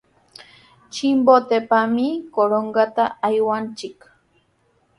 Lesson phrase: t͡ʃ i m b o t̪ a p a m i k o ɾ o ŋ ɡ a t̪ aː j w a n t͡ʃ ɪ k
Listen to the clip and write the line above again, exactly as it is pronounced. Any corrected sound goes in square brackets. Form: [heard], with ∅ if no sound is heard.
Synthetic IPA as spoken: t͡ʃ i m b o t̪ [e] p a m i k o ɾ o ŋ ɡ a t̪ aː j w a n t͡ʃ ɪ k